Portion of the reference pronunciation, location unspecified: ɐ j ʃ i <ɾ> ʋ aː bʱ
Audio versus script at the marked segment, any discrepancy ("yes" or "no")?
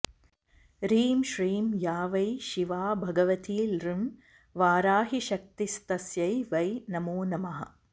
yes